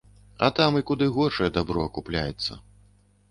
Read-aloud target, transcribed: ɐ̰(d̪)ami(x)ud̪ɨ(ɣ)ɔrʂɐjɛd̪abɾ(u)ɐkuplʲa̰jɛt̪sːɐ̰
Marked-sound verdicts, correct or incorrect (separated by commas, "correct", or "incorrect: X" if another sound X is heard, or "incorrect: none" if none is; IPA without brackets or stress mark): incorrect: t̪, incorrect: k, correct, incorrect: ɔ